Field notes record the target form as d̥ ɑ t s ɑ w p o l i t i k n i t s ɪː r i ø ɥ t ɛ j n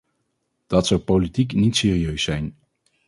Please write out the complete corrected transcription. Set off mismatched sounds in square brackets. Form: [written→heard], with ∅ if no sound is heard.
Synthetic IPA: d̥ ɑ t s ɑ w p o l i t i k n i t s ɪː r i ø ɥ [t→s] ɛ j n

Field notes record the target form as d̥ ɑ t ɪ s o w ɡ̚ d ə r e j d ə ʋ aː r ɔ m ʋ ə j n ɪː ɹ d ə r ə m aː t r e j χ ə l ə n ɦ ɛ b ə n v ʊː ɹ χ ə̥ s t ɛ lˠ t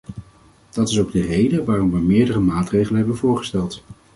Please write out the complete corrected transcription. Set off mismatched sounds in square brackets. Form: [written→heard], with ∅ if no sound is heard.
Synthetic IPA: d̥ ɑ t ɪ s o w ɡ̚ d ə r e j d ə ʋ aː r ɔ m ʋ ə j [n→m] ɪː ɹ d ə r ə m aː t r e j χ ə l ə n ɦ ɛ b ə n v ʊː ɹ χ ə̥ s t ɛ lˠ t

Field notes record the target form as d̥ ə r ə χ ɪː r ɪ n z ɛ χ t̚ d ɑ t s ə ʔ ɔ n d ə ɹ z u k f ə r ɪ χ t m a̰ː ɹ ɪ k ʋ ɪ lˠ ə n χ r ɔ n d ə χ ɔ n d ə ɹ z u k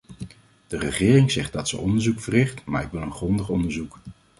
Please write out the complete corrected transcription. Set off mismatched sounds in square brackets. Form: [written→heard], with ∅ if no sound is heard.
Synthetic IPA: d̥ ə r ə χ ɪː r ɪ [n→ŋ] z ɛ χ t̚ d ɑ t s ə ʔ ɔ n d ə ɹ z u k f ə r ɪ χ t m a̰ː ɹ ɪ k ʋ ɪ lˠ ə n χ r ɔ n d ə χ ɔ n d ə ɹ z u k

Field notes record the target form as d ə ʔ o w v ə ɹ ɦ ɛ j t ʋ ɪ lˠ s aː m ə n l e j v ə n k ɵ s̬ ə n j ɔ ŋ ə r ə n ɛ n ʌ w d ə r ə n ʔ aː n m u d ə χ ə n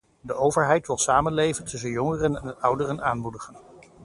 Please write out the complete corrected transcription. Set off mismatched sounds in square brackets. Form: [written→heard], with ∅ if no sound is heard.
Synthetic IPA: d ə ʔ o w v ə ɹ ɦ ɛ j t ʋ ɪ lˠ s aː m ə n l e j v ə n [k→t] ɵ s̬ ə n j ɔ ŋ ə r ə n ɛ n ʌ w d ə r ə n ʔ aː n m u d ə χ ə n

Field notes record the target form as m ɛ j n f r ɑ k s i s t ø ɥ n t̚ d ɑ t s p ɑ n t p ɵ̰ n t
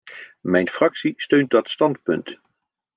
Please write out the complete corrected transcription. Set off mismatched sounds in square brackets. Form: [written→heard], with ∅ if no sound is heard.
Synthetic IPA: m ɛ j n f r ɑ k s i s t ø ɥ n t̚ d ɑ t s [p→t] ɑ n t p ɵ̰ n t

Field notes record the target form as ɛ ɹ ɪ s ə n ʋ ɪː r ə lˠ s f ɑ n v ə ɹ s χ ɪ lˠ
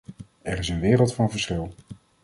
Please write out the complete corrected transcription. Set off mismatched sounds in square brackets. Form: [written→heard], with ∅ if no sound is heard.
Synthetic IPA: ɛ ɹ ɪ s ə n ʋ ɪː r ə lˠ [s→t] f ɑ n v ə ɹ s χ ɪ lˠ

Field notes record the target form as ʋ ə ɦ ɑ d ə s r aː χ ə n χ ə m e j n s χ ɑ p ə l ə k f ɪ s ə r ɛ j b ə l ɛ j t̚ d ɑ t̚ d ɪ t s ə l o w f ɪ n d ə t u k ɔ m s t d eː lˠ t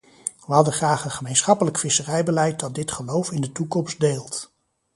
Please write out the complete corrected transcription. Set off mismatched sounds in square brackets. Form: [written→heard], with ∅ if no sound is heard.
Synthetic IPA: ʋ ə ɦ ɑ d ə [s→χ] r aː χ ə n χ ə m e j n s χ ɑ p ə l ə k f ɪ s ə r ɛ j b ə l ɛ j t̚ d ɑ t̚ d ɪ t [s→χ] ə l o w f ɪ n d ə t u k ɔ m s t d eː lˠ t

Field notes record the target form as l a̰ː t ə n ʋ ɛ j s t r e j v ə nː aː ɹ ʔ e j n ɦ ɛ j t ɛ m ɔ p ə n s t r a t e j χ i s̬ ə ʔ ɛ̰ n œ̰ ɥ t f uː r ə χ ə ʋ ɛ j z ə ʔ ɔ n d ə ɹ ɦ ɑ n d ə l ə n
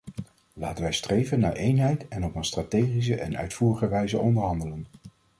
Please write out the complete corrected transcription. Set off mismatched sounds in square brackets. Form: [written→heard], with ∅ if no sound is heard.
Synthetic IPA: l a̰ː t ə n ʋ ɛ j s t r e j v ə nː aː ɹ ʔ e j n ɦ ɛ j t ɛ [m→n] ɔ p ə n s t r a t e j χ i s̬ ə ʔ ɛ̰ n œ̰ ɥ t f uː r ə χ ə ʋ ɛ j z ə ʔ ɔ n d ə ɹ ɦ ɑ n d ə l ə n

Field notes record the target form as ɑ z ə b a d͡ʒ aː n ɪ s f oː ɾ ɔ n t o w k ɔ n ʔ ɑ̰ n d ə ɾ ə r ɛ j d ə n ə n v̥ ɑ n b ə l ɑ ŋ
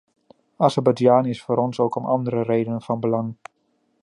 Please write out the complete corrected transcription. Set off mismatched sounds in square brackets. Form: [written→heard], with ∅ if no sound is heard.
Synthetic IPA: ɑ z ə b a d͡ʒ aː n ɪ s f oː ɾ ɔ n [t→s] o w k ɔ [n→m] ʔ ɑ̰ n d ə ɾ ə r [ɛ→e] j d ə n ə n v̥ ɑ n b ə l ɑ ŋ

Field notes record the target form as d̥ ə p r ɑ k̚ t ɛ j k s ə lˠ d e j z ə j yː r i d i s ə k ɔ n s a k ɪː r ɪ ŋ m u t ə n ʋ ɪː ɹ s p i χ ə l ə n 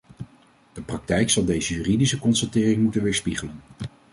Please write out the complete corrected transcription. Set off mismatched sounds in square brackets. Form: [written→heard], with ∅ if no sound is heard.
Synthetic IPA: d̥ ə p r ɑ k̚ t ɛ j k s [ə→ɑ] lˠ d e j z ə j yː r i d i s ə k ɔ n s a [k→t] ɪː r ɪ ŋ m u t ə n ʋ ɪː ɹ s p i χ ə l ə n

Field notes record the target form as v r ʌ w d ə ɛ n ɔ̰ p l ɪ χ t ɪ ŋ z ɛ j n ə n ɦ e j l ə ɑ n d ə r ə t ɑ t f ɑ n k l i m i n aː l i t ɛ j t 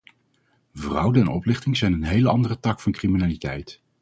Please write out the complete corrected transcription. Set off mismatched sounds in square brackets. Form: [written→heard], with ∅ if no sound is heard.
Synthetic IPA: v r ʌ w d ə ɛ n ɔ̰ p l ɪ χ t ɪ ŋ z ɛ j n ə n ɦ e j l ə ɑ n d ə r ə t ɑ [t→k] f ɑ n k [l→r] i m i n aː l i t ɛ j t

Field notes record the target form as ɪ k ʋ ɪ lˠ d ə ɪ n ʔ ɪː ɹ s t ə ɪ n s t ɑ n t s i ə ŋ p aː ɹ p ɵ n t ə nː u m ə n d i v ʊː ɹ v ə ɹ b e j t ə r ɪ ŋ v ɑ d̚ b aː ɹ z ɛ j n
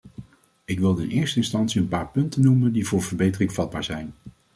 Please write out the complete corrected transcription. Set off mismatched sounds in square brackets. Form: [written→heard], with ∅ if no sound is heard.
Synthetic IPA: ɪ k ʋ ɪ lˠ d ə ɪ n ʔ ɪː ɹ s t ə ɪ n s t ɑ n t s i ə [ŋ→n] p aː ɹ p ɵ n t ə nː u m ə n d i v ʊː ɹ v ə ɹ b e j t ə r ɪ ŋ v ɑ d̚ b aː ɹ z ɛ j n

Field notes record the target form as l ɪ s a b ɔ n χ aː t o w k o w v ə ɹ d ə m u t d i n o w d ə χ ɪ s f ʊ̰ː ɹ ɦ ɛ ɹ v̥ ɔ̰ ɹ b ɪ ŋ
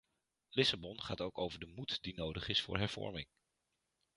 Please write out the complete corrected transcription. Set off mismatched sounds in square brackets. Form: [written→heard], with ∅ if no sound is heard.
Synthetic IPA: l ɪ s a b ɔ n χ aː t o w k o w v ə ɹ d ə m u t d i n o w d ə χ ɪ s f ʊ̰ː ɹ ɦ ɛ ɹ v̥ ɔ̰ ɹ [b→m] ɪ ŋ

